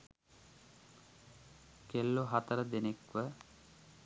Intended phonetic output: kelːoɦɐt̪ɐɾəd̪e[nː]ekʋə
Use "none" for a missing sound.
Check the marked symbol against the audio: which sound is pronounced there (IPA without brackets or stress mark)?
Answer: n